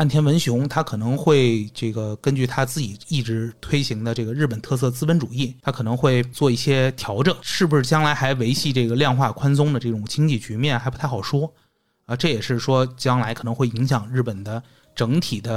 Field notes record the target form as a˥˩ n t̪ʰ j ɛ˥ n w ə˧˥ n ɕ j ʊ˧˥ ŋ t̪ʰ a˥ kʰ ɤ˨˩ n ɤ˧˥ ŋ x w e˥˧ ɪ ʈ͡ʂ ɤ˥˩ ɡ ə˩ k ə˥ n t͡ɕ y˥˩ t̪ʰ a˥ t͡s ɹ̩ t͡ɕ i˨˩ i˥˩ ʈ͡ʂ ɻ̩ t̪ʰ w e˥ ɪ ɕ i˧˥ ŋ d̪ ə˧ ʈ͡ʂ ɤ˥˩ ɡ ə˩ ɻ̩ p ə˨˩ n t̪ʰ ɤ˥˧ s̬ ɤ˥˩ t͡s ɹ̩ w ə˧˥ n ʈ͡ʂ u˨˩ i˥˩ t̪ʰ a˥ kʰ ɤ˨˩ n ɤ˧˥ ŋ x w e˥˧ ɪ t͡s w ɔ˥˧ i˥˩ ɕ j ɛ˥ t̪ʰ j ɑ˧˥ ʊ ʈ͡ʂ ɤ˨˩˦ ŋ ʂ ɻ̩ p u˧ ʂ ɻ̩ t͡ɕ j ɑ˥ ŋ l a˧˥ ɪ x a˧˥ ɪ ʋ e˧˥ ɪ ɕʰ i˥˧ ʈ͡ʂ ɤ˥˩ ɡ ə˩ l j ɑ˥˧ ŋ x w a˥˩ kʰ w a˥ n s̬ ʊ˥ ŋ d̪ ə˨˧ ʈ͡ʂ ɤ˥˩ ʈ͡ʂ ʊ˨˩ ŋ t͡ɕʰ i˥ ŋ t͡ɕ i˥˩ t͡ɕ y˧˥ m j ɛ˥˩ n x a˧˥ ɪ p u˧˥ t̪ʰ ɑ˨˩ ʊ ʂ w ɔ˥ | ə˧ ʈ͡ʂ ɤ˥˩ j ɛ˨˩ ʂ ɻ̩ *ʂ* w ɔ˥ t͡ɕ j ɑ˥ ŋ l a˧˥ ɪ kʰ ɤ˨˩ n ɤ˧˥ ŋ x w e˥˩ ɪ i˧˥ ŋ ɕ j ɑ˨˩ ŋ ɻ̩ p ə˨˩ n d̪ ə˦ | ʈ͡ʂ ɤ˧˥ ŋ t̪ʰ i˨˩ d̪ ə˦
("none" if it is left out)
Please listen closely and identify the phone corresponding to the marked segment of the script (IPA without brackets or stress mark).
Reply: ʂ